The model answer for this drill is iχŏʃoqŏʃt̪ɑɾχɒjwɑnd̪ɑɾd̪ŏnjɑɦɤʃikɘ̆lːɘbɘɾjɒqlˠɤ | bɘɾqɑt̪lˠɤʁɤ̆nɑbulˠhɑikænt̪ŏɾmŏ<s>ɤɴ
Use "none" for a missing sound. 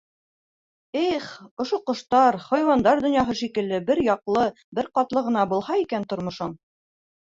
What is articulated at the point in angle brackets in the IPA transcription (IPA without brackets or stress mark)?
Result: ʃ